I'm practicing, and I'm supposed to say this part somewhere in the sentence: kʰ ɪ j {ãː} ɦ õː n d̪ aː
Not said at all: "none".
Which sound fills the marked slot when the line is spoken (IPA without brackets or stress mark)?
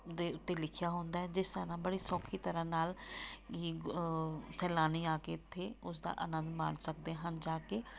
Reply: aː